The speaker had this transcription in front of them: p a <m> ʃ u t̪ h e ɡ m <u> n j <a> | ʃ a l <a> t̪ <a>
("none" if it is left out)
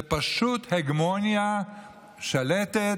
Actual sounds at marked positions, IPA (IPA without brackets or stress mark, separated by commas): none, o, a, e, e